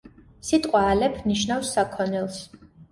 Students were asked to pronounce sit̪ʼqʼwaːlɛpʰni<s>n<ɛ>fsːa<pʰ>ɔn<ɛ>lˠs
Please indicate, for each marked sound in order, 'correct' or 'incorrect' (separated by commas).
incorrect, incorrect, incorrect, correct